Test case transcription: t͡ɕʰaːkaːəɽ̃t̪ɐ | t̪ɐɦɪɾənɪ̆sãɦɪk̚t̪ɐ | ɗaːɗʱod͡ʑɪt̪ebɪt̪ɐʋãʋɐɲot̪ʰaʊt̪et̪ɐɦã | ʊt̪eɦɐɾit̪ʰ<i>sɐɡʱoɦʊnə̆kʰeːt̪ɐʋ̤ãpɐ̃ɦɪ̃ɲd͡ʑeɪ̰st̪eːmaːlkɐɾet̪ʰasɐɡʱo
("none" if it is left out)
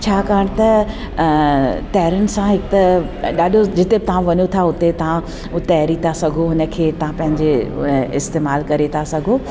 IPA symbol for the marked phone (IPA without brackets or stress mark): a